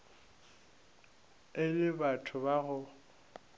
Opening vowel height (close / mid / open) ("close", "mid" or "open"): close